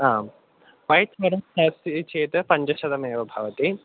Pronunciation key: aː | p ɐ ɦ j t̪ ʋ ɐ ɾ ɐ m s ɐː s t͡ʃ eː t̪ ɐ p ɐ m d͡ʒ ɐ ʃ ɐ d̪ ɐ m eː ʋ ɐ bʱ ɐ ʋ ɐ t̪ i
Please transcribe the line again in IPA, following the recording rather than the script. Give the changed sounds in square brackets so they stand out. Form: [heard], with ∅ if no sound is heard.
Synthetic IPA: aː | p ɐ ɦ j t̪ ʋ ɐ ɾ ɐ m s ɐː s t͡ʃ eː t̪ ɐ p ɐ [ɲ] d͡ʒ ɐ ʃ ɐ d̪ ɐ m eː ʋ ɐ bʱ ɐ ʋ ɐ t̪ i